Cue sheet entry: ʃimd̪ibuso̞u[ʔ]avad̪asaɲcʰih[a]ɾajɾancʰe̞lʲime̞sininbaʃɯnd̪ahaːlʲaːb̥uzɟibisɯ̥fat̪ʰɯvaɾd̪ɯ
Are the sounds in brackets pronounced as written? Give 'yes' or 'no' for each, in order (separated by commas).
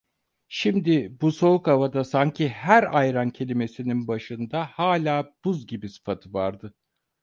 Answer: no, no